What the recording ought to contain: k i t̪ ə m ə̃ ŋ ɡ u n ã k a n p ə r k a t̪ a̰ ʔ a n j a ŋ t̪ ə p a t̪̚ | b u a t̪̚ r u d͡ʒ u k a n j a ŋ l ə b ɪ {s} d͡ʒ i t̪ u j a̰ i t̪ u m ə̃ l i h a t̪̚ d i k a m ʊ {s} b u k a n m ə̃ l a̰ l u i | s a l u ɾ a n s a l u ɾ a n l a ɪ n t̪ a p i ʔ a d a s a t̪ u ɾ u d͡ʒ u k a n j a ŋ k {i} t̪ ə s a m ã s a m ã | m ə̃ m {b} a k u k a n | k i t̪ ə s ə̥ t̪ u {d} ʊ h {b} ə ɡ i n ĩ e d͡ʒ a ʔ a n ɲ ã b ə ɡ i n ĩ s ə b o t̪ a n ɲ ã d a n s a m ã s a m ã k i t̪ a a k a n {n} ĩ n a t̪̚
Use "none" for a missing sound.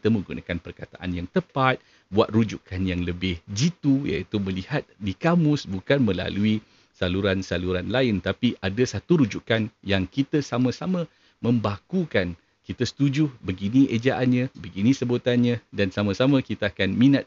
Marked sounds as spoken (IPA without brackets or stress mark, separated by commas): h, s, i, b, d͡ʒ, b, m